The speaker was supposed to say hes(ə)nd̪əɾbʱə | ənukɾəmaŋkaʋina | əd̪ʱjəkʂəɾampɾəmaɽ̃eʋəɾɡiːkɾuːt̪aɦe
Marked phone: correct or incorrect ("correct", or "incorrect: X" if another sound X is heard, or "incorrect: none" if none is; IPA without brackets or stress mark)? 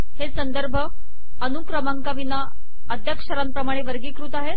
correct